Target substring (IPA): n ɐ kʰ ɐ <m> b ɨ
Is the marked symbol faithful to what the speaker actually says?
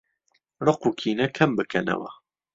yes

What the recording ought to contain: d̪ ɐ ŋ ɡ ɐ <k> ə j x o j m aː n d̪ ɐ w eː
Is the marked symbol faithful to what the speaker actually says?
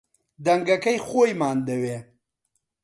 yes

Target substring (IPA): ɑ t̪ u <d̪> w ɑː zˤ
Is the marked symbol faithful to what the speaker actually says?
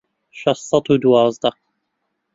yes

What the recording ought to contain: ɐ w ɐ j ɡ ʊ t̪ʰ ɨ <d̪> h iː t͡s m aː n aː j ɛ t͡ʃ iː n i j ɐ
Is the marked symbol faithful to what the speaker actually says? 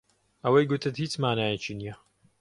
no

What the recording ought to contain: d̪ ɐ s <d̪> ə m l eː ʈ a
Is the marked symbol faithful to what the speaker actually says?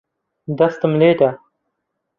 no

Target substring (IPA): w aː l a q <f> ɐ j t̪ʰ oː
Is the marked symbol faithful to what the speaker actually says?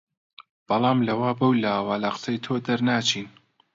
no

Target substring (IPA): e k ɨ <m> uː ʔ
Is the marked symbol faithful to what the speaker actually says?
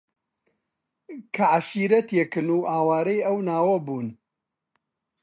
no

